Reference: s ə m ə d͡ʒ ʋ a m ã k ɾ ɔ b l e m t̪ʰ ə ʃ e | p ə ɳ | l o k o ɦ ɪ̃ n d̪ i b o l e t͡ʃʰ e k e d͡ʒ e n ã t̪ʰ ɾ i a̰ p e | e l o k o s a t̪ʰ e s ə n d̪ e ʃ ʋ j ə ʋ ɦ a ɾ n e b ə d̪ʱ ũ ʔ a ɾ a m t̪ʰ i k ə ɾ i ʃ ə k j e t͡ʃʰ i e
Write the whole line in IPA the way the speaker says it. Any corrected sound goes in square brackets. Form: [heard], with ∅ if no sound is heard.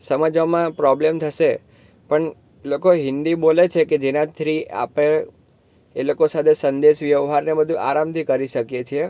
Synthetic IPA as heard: s ə m ə d͡ʒ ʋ a m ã [p] ɾ ɔ b l e m t̪ʰ ə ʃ e | p ə ɳ | l o k o ɦ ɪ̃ n d̪ i b o l e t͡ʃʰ e k e d͡ʒ e n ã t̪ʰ ɾ i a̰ p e | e l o k o s a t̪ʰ e s ə n d̪ e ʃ ʋ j ə ʋ ɦ a ɾ n e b ə d̪ʱ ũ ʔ a ɾ a m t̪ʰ i k ə ɾ i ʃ ə k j e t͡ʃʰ i e